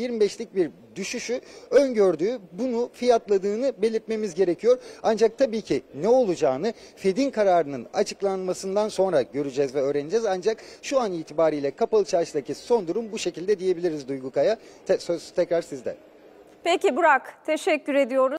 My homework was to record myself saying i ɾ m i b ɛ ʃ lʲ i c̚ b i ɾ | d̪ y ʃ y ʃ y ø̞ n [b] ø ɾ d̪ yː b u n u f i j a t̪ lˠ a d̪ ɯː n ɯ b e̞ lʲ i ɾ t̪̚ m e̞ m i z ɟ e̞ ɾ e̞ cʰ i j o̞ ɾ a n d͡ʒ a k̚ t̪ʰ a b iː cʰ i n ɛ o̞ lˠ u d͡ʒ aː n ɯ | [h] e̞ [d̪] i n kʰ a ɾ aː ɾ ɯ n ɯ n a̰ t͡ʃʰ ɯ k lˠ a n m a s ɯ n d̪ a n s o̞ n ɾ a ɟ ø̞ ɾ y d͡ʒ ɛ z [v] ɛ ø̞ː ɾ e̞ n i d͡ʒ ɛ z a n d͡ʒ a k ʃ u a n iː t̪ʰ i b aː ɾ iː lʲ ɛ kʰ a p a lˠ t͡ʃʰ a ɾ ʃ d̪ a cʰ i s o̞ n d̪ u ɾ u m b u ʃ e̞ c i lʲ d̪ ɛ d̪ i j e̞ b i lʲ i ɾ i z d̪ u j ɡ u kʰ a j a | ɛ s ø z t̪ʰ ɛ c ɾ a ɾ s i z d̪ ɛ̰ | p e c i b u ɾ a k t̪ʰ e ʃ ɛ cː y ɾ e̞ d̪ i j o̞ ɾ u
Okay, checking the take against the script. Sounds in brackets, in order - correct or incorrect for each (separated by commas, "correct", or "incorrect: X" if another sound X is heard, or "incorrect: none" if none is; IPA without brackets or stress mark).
incorrect: ɟ, incorrect: f, correct, correct